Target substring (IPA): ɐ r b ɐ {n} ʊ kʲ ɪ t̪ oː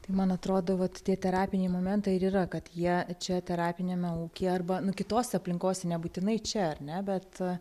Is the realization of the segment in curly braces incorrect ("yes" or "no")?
no